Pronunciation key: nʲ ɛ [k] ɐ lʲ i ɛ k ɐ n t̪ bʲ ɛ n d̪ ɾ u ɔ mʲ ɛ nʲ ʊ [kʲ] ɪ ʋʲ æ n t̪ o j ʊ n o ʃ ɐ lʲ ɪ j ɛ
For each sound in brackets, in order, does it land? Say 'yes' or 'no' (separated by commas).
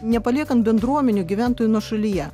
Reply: no, no